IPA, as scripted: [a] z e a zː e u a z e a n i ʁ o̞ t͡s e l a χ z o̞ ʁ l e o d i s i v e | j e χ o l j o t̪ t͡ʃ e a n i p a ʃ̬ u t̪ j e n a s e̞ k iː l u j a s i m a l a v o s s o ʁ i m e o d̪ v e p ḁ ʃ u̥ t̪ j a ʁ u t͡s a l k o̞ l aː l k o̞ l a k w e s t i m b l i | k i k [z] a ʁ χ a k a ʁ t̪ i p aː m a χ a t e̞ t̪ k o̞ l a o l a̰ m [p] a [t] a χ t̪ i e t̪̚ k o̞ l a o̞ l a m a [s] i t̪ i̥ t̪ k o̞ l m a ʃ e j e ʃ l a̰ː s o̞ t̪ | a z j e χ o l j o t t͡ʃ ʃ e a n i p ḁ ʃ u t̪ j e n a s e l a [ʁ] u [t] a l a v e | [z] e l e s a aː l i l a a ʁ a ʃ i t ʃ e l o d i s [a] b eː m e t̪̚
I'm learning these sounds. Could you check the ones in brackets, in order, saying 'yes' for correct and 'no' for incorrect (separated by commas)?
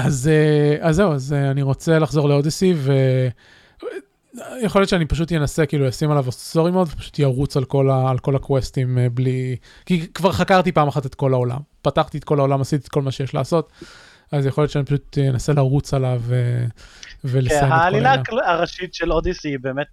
yes, no, yes, yes, yes, yes, no, no, no